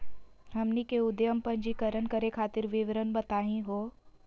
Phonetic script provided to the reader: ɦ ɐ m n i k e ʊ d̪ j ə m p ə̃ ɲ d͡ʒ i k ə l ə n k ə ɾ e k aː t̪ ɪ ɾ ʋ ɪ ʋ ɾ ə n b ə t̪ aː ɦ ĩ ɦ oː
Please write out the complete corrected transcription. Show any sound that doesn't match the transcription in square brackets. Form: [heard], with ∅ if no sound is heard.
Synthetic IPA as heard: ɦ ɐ m n i k e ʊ d̪ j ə m p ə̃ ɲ d͡ʒ i k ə [ɾ] ə n k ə ɾ e [kʰ] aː t̪ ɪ ɾ ʋ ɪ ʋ ɾ ə n b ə t̪ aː ɦ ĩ ɦ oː